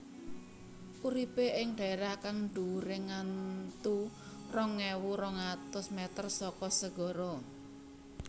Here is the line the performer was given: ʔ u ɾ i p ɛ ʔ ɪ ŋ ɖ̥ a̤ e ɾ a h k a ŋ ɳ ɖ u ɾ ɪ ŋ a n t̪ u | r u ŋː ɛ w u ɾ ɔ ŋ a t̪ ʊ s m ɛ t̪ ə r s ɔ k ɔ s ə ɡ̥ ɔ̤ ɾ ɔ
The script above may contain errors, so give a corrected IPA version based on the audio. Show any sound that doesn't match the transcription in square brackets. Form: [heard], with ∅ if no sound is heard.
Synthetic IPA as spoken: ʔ u ɾ i p [e] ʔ ɪ ŋ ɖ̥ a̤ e ɾ a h k a ŋ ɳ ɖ u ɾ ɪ ŋ a n t̪ u | r [ɔ] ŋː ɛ w u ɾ ɔ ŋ a t̪ ʊ s m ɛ t̪ ə r s ɔ k ɔ s ə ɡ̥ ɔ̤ ɾ ɔ